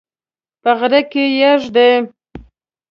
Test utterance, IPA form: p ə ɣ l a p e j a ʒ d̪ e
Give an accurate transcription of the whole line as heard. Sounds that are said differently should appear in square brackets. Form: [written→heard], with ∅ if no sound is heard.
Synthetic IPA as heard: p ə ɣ [l→ɾ] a [p→k] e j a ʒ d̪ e